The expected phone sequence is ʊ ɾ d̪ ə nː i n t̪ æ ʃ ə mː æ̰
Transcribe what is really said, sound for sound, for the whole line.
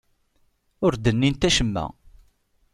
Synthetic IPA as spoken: ʊ ɾ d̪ ə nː i n t̪ æ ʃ ə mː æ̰

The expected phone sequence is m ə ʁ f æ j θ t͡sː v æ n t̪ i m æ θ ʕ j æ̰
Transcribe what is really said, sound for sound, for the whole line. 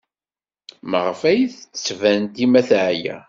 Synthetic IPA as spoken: m ə ʁ f æ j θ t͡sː v æ n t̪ i m æ θ ʕ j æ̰

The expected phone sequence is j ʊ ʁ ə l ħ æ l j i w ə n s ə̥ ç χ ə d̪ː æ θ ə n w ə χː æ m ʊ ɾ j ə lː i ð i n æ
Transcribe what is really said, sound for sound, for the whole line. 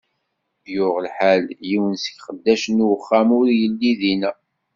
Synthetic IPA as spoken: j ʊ ʁ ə l ħ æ l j i w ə n s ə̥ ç χ ə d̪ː æ ʃ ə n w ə χː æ m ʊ ɾ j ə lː i ð i n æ

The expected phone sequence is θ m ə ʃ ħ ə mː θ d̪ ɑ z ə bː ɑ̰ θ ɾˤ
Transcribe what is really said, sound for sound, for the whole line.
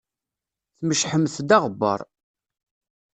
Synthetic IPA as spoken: θ m ə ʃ ħ ə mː θ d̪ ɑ ʁ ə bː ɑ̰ ɾˤ

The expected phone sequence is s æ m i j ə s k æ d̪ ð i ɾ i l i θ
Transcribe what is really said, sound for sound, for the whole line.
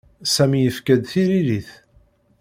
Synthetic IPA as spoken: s æ m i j ə f k æ d̪ θ i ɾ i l i θ

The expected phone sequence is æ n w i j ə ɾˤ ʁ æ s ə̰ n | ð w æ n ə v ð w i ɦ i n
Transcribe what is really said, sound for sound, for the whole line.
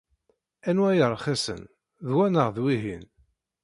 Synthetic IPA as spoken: æ n w æ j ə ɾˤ χ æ s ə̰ n | ð w æ n ə ʁ ð w i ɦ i n

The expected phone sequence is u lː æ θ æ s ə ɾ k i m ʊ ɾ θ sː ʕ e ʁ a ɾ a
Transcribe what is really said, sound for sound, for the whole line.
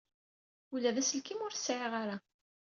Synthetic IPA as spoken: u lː æ ð æ s ə l k i m ʊ ɾ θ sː ʕ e ʁ a ɾ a

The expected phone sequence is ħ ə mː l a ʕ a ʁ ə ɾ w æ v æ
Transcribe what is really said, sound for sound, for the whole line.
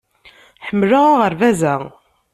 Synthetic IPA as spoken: ħ ə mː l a ʁ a ʁ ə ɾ v æ z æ

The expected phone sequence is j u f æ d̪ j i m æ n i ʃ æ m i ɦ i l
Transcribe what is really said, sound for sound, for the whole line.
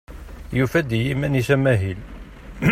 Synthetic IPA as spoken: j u f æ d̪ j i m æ n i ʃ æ m æ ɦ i l

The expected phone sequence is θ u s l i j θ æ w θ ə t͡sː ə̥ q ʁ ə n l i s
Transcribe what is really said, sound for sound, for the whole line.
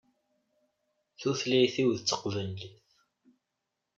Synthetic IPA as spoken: θ u θ l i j θ i w ð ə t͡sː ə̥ q v ə n l i θ

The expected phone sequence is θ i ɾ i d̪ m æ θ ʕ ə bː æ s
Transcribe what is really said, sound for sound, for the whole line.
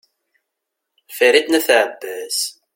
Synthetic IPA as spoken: f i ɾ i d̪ n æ θ ʕ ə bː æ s

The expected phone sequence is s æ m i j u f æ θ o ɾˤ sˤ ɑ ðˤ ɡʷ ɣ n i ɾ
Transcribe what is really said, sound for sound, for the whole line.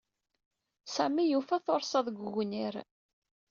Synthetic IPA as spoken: s æ m i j u f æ θ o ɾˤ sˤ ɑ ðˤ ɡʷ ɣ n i ɾ

